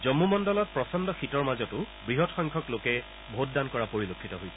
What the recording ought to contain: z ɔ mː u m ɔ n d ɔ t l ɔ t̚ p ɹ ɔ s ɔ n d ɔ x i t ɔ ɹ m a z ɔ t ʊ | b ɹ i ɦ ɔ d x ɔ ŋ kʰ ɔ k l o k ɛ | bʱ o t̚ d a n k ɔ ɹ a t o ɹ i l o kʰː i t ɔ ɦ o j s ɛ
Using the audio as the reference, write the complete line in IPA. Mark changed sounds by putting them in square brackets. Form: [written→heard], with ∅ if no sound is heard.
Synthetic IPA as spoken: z ɔ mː u m ɔ n d ɔ [t→∅] l ɔ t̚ p ɹ ɔ s ɔ n d ɔ x i t ɔ ɹ m a z ɔ t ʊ | b ɹ i ɦ ɔ [d→t] x ɔ ŋ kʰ ɔ k l o k ɛ | bʱ o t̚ d a n k ɔ ɹ a [t→p] o ɹ i l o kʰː i t ɔ ɦ o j s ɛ